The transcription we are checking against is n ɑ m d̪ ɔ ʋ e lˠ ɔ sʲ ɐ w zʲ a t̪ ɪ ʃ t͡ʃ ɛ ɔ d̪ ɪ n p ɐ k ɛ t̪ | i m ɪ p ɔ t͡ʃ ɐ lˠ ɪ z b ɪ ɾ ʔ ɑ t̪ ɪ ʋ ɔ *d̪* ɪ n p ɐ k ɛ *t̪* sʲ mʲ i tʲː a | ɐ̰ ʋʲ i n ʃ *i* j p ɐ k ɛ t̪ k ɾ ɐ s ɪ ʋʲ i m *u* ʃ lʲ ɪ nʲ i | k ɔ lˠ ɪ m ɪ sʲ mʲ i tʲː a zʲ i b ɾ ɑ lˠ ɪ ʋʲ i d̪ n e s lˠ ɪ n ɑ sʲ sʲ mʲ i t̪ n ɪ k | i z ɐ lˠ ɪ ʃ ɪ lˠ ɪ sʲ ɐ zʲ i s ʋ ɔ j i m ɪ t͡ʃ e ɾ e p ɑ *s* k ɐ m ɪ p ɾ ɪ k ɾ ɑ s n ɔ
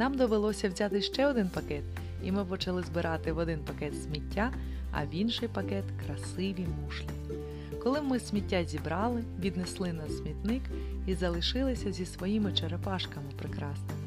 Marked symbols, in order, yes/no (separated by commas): yes, yes, no, yes, no